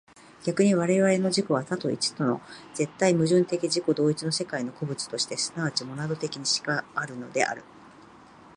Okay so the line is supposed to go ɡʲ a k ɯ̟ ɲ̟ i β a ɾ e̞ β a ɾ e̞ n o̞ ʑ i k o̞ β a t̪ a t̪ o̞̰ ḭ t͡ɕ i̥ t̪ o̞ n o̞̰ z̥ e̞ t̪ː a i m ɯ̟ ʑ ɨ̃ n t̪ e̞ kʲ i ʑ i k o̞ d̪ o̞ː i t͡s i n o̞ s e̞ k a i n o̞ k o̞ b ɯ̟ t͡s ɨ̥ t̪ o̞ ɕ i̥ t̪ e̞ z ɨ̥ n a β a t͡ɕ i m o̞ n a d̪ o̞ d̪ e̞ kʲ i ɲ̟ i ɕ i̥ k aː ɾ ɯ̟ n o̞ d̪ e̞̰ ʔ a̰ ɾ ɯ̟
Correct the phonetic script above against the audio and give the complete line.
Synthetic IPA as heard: ɡʲ a k ɯ̟ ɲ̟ i β a ɾ e̞ β a ɾ e̞ n o̞ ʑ i k o̞ β a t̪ a t̪ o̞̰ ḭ t͡ɕ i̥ t̪ o̞ n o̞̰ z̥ e̞ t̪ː a i m ɯ̟ ʑ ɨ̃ n t̪ e̞ kʲ i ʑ i k o̞ d̪ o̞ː i t͡s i n o̞ s e̞ k a i n o̞ k o̞ b ɯ̟ t͡s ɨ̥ t̪ o̞ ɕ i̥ t̪ e̞ s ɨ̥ n a β a t͡ɕ i m o̞ n a d̪ o̞ t̪ e̞ kʲ i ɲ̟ i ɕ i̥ k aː ɾ ɯ̟ n o̞ d̪ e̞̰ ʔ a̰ ɾ ɯ̟